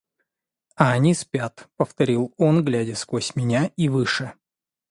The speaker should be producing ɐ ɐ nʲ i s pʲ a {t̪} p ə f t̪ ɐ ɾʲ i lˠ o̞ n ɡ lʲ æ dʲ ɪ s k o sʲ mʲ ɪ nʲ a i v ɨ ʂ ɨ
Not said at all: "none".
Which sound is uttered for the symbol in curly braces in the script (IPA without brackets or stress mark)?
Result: t̪